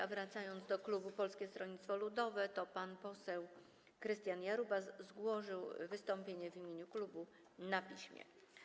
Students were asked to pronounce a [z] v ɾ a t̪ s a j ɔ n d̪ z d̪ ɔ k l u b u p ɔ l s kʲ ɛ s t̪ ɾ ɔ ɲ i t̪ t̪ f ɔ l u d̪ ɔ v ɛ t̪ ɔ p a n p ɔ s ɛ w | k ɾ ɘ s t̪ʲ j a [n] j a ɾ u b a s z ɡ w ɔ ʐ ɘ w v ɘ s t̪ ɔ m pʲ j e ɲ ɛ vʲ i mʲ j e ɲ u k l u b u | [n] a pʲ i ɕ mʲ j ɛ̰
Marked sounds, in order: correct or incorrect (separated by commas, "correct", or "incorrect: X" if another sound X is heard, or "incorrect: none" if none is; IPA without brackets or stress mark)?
incorrect: none, correct, correct